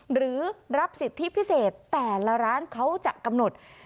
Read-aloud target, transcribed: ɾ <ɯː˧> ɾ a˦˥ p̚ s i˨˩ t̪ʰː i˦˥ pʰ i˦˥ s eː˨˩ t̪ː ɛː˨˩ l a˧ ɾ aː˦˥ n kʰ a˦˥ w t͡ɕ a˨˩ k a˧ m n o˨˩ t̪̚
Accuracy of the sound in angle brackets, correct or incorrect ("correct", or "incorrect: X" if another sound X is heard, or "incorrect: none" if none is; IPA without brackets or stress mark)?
incorrect: ɯː˩˦